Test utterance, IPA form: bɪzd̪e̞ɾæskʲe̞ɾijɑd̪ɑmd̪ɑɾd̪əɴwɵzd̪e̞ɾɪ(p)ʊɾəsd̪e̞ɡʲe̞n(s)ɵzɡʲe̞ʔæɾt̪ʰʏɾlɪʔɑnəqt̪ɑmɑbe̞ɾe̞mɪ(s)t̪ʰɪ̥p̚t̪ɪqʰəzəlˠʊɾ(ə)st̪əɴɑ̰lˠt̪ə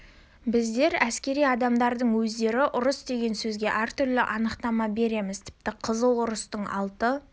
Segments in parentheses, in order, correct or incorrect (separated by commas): incorrect, correct, incorrect, correct